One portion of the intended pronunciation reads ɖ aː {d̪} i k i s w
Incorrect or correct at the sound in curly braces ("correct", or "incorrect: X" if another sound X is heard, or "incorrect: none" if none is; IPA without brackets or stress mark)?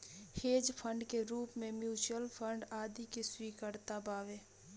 correct